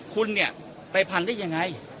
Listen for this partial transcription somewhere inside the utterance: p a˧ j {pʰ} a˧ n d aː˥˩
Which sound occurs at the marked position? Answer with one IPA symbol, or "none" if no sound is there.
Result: pʰ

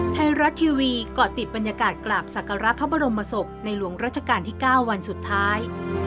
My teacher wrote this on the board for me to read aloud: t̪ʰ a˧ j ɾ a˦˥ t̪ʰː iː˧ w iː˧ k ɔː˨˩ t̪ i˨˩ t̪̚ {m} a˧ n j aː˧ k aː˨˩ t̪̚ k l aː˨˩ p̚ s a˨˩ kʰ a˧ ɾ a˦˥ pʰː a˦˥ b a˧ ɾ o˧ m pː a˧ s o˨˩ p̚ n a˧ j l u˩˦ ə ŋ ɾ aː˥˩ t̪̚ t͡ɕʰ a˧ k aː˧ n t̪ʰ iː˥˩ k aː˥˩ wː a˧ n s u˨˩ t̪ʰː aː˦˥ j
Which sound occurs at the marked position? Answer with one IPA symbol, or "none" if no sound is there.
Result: b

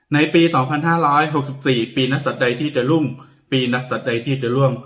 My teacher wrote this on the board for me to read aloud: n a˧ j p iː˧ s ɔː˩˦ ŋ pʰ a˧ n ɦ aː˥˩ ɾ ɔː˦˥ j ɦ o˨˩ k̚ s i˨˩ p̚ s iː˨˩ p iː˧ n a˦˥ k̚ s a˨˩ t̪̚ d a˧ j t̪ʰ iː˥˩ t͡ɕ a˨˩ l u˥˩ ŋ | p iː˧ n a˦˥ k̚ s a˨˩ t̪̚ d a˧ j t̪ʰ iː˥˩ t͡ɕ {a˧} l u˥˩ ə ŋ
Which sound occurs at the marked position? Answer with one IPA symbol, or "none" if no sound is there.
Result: a˨˩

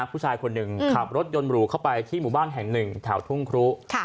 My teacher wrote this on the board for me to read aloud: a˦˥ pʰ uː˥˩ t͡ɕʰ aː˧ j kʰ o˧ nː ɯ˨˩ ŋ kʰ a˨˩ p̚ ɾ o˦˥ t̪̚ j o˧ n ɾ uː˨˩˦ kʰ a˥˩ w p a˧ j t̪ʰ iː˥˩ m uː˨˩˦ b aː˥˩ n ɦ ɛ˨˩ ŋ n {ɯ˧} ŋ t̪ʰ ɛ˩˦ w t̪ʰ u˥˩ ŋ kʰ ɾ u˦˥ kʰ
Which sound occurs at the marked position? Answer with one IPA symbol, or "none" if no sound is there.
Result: ɯ˨˩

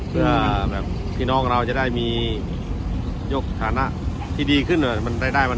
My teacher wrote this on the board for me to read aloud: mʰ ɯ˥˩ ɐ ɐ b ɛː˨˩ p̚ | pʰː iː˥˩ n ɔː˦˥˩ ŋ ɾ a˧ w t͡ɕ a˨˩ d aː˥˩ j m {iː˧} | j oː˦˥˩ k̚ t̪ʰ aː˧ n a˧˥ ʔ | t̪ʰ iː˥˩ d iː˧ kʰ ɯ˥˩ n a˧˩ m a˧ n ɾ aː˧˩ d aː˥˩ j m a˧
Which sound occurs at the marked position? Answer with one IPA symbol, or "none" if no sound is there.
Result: iː˧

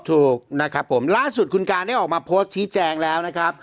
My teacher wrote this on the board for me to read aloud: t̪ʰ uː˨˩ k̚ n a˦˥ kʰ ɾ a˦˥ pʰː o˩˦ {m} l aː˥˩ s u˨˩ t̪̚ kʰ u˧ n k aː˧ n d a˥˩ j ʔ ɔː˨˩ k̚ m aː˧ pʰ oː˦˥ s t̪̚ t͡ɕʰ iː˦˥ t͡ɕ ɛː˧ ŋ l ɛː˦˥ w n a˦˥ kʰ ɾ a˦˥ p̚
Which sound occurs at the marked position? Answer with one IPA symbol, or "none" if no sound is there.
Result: m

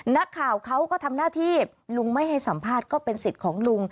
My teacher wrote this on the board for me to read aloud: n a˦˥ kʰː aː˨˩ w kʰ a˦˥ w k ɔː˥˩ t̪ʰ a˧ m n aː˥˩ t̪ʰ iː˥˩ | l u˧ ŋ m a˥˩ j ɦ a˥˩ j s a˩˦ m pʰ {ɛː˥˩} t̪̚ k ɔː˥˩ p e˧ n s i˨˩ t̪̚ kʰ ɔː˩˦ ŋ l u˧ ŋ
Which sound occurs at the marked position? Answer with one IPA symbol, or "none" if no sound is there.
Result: aː˥˩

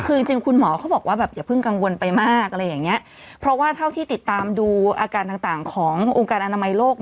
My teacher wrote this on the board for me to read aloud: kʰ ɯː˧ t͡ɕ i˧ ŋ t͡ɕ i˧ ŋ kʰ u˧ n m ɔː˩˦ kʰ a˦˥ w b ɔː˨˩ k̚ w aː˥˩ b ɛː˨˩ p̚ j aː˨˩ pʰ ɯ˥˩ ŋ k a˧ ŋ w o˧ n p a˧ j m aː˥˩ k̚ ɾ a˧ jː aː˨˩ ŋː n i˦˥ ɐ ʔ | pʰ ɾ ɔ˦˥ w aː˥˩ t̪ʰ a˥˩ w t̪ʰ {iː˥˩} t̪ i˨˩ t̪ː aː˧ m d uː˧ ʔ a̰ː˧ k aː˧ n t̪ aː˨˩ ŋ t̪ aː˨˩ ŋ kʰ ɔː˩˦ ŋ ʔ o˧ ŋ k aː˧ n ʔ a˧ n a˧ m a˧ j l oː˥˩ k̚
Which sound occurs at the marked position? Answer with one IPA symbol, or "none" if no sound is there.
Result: iː˥˩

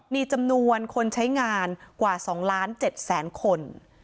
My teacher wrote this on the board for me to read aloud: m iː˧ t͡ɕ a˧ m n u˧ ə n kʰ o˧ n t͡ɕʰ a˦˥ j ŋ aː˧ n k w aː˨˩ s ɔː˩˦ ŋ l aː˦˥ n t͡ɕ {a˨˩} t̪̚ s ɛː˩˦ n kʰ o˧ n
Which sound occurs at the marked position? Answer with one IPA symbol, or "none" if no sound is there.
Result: e˨˩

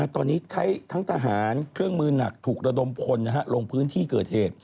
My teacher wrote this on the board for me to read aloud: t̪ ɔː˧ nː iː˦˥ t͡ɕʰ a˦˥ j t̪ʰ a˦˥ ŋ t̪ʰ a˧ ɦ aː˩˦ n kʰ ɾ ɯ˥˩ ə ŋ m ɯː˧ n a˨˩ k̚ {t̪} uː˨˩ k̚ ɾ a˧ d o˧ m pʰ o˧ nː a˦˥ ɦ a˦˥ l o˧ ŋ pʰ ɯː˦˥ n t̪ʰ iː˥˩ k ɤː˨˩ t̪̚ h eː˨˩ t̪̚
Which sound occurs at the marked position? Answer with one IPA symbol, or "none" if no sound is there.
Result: t̪ʰ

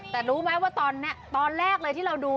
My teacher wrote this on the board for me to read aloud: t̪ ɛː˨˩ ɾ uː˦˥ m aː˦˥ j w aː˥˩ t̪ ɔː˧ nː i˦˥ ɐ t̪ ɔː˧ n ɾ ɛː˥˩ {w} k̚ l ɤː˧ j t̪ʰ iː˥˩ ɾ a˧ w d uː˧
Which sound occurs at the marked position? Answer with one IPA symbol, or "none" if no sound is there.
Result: none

